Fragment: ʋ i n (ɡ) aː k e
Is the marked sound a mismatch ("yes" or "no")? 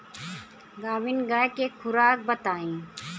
no